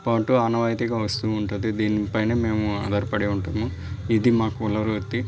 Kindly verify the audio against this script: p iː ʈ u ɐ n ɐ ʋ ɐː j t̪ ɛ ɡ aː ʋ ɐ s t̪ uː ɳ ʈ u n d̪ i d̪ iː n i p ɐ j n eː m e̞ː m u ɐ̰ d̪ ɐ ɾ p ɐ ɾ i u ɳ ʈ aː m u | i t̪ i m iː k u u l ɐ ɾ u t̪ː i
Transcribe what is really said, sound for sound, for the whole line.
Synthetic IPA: p aː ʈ u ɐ n ɐ ʋ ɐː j t̪ i ɡ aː ʋ ɐ s t̪ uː ɳ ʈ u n d̪ i d̪ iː n i p ɐ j n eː m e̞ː m u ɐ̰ d̪ ɐ ɾ p ɐ ɽ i u ɳ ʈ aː m u | i d̪ i m aː k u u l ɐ ɾ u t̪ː i